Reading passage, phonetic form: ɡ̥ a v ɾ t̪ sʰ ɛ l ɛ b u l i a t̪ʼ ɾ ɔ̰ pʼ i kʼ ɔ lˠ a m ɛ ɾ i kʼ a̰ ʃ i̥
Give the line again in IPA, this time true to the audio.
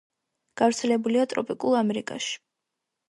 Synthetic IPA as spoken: ɡ̥ a v ɾ t̪ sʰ ɛ l ɛ b u l i a t̪ʼ ɾ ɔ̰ pʼ i kʼ u lˠ a m ɛ ɾ i kʼ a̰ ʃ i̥